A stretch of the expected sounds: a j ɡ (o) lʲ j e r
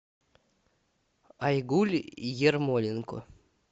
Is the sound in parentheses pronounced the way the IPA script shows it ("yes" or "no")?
no